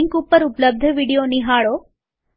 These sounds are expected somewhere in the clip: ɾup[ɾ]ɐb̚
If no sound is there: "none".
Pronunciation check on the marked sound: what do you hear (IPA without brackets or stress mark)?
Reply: l